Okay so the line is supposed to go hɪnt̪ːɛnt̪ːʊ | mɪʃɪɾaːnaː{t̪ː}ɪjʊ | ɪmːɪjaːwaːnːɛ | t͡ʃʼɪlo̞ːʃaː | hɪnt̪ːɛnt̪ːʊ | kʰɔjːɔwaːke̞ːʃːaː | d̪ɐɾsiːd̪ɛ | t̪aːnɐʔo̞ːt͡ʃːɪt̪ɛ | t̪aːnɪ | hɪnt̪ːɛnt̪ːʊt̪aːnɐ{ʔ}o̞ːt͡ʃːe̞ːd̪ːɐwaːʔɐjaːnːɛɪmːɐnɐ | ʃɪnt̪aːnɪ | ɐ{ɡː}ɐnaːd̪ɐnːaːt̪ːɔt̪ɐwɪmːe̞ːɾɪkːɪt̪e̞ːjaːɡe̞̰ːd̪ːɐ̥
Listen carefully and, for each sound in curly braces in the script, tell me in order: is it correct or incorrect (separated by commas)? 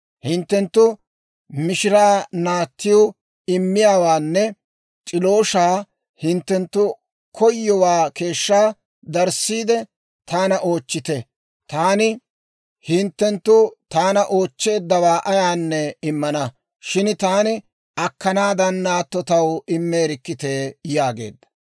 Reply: correct, correct, incorrect